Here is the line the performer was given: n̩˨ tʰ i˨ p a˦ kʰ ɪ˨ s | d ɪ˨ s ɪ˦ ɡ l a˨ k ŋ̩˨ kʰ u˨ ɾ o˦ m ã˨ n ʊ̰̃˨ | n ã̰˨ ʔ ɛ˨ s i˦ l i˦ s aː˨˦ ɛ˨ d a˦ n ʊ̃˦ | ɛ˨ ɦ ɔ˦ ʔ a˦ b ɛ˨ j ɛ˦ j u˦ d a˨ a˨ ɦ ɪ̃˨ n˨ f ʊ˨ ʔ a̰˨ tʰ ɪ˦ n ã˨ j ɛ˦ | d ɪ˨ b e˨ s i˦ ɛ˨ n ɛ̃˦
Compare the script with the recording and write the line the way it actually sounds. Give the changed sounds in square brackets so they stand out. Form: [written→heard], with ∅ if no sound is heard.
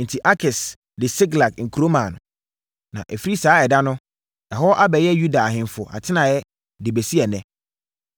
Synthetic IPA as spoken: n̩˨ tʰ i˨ [p→ʔ] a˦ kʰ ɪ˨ s | d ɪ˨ s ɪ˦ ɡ l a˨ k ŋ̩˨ kʰ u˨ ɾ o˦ m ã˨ n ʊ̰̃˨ | n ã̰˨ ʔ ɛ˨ [s→f] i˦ [l→ɾ] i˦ s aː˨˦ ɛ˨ d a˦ n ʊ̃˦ | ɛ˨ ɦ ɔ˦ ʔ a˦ b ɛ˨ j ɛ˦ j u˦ d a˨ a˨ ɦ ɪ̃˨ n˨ f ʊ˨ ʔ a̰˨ tʰ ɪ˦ n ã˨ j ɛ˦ | d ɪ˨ b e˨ s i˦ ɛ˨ n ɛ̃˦